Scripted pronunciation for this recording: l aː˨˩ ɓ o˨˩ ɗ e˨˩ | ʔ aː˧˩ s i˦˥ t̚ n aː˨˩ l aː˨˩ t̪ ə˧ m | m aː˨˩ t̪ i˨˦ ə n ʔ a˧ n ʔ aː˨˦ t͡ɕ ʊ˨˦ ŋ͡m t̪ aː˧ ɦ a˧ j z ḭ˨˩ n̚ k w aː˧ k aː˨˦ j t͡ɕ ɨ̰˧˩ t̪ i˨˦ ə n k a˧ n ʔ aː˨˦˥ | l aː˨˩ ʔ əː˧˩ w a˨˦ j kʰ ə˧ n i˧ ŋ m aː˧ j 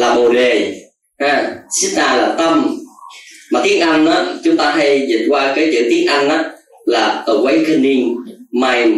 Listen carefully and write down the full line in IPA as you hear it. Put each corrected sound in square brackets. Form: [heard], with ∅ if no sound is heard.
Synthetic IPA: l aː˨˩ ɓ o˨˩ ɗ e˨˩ | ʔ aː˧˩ s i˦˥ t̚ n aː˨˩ l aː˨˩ t̪ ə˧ m | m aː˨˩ t̪ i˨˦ ə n ʔ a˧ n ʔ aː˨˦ t͡ɕ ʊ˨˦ ŋ͡m t̪ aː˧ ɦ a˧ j z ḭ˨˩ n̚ k w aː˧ k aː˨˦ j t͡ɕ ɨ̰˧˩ t̪ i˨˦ ə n [ʔ] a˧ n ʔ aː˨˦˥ | l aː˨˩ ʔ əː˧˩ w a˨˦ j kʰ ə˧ n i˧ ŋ m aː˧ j